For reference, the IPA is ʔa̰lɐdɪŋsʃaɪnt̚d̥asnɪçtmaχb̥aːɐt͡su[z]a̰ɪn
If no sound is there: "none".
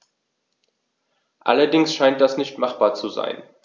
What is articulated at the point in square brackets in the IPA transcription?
z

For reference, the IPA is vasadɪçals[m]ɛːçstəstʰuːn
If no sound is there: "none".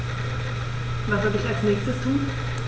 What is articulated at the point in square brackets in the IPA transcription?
n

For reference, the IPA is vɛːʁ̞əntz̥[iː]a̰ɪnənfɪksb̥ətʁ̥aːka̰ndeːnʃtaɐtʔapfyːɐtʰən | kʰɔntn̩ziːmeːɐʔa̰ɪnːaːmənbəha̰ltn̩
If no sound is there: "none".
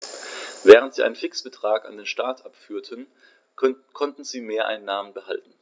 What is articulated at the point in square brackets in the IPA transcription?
iː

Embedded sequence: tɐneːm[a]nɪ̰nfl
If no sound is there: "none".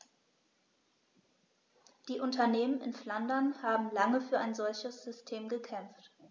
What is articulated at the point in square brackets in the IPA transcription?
ə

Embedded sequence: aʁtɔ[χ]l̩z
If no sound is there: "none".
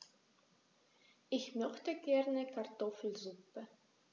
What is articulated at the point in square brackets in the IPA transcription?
f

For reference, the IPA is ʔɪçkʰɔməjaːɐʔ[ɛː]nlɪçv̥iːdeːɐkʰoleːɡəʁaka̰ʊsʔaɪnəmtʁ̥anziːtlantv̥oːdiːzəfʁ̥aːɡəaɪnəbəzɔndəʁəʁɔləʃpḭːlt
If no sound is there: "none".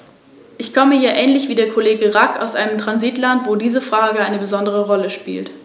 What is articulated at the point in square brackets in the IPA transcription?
ɛː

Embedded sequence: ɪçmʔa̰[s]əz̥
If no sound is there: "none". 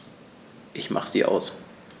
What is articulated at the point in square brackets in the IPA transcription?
χ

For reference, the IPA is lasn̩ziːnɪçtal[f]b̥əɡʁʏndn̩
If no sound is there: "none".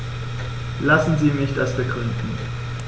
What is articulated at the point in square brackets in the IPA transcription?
s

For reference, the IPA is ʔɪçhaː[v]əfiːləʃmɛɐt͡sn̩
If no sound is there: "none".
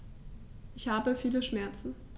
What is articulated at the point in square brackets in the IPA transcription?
b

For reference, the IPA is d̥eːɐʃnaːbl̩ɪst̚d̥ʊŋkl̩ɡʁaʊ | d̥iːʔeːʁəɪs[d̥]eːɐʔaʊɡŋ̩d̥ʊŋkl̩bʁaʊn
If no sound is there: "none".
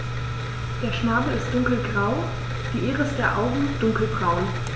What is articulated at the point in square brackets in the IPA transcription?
d̥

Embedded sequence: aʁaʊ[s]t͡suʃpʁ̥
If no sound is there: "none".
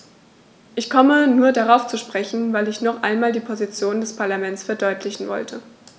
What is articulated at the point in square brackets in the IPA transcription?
f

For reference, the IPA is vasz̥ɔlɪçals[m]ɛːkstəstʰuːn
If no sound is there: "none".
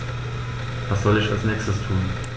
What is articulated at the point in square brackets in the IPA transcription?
n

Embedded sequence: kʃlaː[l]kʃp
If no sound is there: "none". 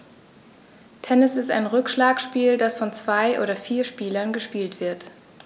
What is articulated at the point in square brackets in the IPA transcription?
none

